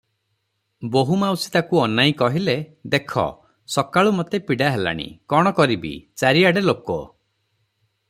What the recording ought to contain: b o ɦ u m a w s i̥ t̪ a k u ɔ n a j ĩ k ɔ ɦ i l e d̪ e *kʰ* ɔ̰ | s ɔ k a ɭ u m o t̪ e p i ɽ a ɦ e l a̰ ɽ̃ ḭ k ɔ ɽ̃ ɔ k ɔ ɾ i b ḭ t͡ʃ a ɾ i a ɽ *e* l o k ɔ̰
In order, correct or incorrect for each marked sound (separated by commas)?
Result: correct, correct